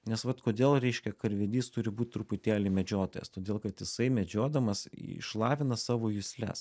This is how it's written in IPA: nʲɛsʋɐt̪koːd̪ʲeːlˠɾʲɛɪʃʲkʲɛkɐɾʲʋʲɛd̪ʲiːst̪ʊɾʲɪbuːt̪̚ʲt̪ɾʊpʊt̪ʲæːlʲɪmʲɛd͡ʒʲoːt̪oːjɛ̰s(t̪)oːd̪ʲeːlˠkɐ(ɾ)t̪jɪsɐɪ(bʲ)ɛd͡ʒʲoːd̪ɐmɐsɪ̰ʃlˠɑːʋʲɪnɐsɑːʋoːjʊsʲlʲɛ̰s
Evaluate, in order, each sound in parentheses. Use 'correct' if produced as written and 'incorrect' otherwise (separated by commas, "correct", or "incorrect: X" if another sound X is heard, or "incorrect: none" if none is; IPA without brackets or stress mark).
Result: correct, incorrect: none, incorrect: mʲ